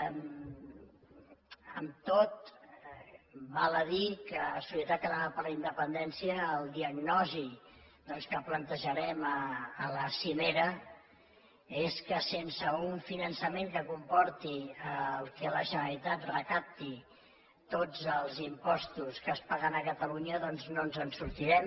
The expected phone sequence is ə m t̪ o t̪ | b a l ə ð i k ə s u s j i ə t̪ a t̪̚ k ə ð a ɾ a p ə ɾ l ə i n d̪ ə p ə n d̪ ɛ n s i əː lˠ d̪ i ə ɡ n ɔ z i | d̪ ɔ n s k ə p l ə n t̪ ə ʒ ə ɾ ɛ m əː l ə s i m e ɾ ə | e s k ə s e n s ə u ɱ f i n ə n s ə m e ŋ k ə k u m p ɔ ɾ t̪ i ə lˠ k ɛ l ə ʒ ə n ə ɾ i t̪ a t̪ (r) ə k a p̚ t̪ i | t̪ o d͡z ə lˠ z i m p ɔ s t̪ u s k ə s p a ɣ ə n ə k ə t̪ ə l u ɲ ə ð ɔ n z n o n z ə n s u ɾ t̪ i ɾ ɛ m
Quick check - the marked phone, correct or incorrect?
correct